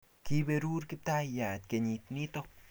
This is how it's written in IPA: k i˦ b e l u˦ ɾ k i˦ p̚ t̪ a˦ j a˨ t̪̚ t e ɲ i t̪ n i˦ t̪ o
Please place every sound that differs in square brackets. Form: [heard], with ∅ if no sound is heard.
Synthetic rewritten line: k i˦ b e [ɾ] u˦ ɾ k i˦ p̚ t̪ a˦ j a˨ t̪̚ [k] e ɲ i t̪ n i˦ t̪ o